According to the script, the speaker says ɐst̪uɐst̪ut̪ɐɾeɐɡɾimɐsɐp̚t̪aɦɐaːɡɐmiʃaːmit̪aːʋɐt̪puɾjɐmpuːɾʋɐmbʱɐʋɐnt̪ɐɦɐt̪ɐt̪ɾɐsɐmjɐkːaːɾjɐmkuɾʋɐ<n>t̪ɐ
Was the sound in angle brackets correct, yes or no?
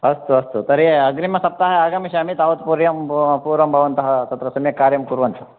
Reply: yes